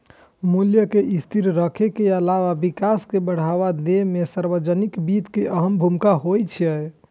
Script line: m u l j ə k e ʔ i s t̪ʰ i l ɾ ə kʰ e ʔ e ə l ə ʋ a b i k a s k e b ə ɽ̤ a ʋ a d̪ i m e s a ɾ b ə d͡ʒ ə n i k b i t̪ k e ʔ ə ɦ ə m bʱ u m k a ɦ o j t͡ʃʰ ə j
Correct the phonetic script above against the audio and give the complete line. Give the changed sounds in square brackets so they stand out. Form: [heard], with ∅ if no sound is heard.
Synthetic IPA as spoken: m u l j ə k e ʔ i s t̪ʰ i [ɾ] ɾ ə kʰ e [k] e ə l [a] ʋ a b i k a s k e b ə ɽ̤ a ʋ a d̪ [e] m e s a ɾ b ə d͡ʒ ə n i k b i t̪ k e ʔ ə ɦ ə m bʱ u m k a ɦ o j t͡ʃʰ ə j